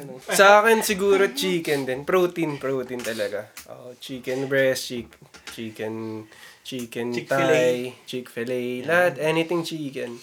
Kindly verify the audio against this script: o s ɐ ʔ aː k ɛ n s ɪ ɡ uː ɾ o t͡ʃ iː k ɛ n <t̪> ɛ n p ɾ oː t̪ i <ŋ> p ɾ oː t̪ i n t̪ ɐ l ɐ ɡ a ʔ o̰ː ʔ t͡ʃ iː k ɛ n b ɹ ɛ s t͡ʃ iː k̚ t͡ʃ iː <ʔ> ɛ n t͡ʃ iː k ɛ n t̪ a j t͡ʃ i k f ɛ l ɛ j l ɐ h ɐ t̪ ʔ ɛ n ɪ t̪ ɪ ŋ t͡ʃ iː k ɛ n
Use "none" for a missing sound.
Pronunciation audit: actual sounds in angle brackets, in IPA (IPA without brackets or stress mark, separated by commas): d̪, n, k